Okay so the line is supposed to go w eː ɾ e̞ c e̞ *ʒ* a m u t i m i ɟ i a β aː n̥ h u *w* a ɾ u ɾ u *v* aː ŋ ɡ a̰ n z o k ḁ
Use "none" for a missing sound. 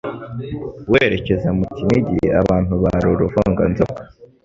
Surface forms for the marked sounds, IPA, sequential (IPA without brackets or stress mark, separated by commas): z, β, v